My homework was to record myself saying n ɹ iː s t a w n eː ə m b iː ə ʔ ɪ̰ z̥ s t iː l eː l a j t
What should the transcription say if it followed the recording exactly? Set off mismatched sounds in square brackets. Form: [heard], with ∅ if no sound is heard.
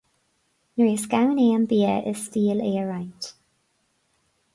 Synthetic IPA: n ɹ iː s [k] a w n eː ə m b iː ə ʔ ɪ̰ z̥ s t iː l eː [ɹ] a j t